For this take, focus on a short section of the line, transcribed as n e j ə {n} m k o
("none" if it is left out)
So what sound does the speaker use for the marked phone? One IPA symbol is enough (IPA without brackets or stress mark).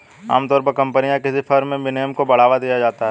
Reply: none